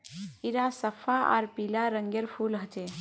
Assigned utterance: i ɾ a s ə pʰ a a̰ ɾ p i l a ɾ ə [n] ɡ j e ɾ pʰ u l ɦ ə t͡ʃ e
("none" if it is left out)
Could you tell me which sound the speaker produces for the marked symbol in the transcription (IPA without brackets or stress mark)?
ŋ